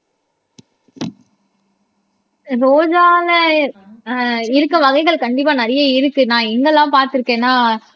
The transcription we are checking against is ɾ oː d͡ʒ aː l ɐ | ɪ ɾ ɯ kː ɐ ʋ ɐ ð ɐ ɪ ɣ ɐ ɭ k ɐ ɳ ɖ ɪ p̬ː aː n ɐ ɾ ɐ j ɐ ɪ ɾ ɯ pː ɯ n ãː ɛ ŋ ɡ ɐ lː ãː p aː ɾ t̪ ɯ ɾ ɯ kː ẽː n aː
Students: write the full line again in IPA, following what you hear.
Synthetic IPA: ɾ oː d͡ʒ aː l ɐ | ɪ ɾ ɯ kː ɐ ʋ ɐ ɣ ɐ ɪ ɣ ɐ ɭ k ɐ ɳ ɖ ɪ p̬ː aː n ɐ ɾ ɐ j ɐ ɪ ɾ ɯ kː ɯ n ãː ɛ ŋ ɡ ɐ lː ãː p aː ɾ t̪ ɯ ɾ ɯ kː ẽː n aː